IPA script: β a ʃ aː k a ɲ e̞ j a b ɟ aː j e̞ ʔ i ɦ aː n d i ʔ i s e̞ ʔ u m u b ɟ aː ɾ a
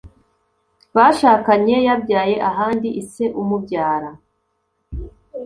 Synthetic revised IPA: β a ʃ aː k a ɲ e̞ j a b ɟ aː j e̞ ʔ a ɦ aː n d i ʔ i s e̞ ʔ u m u b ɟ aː ɾ a